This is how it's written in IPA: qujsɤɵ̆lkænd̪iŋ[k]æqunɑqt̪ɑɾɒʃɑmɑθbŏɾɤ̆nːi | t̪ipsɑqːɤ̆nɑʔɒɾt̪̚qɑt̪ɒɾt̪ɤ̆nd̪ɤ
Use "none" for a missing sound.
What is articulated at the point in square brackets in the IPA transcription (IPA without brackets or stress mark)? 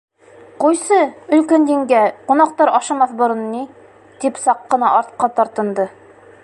ɡ